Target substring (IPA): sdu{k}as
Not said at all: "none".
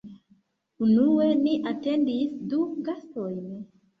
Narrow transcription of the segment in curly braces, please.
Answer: ɡ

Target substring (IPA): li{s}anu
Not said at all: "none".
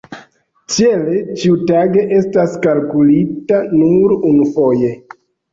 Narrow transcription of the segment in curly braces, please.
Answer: t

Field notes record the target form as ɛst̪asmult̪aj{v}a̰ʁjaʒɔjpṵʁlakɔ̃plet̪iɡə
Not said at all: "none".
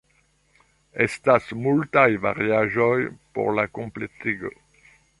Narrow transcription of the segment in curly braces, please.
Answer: v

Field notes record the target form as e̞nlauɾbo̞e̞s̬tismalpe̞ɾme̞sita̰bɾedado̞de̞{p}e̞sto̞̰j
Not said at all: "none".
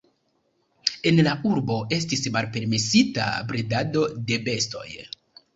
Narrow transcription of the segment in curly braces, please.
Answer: b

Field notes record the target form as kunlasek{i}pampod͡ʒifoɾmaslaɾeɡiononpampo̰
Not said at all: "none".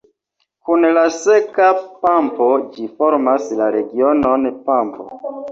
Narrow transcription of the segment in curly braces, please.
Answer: a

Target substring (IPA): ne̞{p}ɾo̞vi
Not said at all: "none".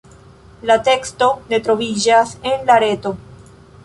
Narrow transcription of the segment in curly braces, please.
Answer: t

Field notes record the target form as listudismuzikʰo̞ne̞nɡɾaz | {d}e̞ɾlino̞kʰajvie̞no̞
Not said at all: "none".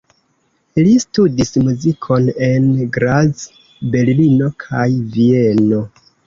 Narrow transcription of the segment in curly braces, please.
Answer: b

